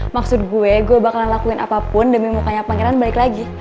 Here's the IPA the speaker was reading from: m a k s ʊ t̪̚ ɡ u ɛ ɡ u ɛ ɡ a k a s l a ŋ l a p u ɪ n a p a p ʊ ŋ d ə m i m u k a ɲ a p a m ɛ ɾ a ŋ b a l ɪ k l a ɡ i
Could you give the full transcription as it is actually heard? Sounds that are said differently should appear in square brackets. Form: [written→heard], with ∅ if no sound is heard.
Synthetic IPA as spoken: m a k s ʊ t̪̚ ɡ u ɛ ɡ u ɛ [ɡ→b] a k a [s→∅] l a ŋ l a [p→k] u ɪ n a p a p ʊ [ŋ→n] d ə m i m u k a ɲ a p a [m→ŋ] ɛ ɾ a [ŋ→n] b a l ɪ k l a ɡ i